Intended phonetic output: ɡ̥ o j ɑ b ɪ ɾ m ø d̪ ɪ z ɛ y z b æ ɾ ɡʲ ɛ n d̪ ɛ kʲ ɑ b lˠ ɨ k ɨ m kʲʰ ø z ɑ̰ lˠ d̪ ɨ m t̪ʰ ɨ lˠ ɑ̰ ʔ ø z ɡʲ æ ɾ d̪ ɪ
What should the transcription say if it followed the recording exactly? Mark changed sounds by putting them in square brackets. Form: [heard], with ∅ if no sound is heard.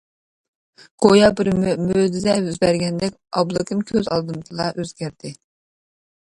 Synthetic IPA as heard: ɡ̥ o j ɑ b ɪ ɾ m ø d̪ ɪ z ɛ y z b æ ɾ ɡʲ ɛ n d̪ ɛ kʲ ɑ b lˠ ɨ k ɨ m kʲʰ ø z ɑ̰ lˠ d̪ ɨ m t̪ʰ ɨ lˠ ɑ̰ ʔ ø z ɡʲ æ ɾ d̪ ɪ